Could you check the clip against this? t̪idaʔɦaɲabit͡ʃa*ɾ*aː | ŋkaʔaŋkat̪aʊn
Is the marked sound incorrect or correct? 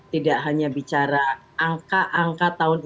correct